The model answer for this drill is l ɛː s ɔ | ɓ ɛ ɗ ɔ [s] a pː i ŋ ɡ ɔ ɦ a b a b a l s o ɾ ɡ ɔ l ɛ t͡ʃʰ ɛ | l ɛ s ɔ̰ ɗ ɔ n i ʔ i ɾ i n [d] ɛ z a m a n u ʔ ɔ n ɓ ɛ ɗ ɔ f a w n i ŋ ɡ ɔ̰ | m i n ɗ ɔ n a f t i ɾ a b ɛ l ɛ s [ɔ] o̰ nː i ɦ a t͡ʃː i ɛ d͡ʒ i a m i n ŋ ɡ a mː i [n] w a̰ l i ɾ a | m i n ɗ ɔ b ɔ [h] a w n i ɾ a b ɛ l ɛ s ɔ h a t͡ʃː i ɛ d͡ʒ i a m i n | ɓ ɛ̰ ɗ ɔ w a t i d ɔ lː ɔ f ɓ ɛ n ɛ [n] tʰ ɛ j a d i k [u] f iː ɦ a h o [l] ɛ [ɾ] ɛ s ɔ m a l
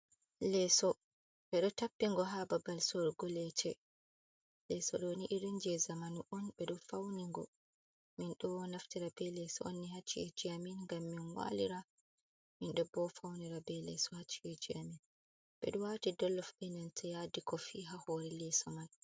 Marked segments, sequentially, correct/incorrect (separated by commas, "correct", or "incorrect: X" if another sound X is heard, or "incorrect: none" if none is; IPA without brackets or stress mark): incorrect: t, incorrect: d͡ʒ, correct, correct, incorrect: f, correct, incorrect: ɔ, incorrect: ɾ, incorrect: l